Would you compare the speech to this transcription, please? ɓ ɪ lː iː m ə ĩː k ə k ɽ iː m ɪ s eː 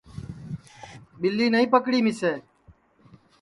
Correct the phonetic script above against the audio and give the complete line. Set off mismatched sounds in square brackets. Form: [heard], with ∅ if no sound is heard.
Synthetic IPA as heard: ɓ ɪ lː iː [n] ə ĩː [p] ə k ɽ iː m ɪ s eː